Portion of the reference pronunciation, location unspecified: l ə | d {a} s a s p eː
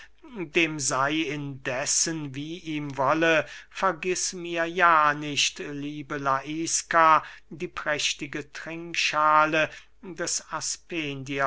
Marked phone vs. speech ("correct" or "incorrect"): incorrect